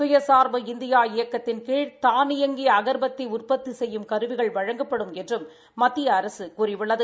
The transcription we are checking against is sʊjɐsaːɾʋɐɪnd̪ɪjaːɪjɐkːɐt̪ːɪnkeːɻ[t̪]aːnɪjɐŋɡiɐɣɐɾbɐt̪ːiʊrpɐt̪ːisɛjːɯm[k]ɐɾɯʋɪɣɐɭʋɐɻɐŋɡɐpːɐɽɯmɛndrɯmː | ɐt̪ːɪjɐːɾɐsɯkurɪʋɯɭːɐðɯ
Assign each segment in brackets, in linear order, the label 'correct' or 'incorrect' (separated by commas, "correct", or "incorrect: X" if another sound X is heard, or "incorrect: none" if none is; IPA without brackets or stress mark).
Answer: correct, correct